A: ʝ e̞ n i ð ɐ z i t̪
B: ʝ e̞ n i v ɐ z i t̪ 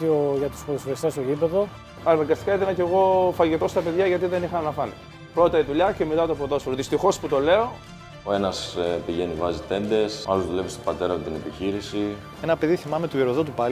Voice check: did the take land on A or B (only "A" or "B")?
B